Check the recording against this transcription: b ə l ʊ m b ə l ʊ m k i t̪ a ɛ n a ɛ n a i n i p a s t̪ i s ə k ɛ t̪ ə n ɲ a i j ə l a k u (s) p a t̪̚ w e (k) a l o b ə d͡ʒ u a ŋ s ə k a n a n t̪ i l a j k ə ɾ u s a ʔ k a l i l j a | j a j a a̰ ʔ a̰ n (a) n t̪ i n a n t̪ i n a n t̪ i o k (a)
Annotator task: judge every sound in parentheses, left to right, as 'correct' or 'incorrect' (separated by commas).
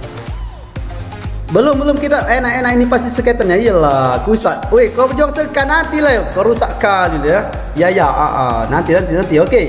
correct, correct, correct, incorrect